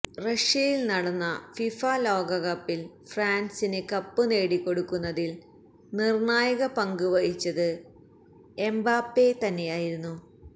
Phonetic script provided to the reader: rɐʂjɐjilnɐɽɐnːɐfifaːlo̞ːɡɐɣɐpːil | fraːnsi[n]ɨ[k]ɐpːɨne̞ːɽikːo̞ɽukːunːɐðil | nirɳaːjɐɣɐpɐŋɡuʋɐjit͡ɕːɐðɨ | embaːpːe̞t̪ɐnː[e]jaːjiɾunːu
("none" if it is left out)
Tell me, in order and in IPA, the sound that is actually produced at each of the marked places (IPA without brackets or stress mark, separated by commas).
n, k, e